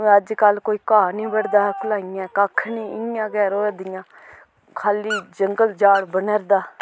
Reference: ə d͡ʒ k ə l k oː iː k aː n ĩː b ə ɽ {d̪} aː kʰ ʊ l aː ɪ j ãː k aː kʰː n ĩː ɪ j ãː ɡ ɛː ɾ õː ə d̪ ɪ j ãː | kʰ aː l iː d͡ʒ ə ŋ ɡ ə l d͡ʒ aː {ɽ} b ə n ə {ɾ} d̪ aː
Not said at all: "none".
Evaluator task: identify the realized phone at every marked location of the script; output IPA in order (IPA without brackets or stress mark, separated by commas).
d̪, ɽ, ɾ